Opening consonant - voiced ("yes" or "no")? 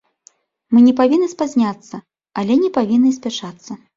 yes